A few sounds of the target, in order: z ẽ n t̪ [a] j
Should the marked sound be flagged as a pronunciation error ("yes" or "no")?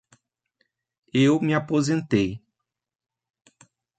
yes